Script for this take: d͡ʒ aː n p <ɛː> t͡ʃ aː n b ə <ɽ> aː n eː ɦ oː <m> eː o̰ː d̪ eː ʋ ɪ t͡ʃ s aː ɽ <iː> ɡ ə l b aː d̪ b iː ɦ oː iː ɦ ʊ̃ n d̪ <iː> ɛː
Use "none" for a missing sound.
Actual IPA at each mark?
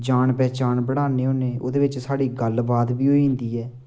ɛː, ɽ, n, iː, iː

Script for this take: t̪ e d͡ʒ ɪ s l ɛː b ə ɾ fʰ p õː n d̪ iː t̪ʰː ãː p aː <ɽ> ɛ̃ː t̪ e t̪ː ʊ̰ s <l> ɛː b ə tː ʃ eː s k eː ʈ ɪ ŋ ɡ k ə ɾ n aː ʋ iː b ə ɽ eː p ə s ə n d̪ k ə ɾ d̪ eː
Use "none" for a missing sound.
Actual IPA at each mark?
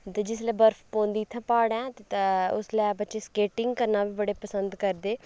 ɽ, l

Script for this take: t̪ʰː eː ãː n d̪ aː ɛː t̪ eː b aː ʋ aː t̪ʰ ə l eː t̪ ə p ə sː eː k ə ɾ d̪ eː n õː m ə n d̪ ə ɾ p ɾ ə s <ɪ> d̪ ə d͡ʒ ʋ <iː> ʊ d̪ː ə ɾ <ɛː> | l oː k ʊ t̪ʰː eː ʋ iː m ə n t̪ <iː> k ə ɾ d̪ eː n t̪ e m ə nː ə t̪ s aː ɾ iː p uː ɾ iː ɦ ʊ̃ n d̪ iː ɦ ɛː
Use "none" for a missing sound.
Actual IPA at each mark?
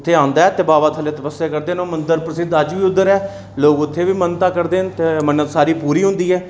ɪ, iː, ɛː, aː

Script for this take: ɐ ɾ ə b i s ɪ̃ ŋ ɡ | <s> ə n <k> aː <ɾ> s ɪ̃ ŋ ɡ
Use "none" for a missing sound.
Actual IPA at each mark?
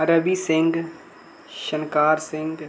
ʃ, k, ɾ

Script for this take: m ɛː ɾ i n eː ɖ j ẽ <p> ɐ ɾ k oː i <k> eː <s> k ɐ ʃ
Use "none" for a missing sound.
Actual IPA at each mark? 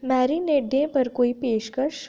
p, p, ʃ

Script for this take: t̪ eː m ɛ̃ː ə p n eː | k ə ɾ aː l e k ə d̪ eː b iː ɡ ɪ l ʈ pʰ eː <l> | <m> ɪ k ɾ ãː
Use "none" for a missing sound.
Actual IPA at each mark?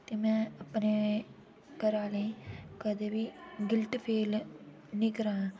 l, n

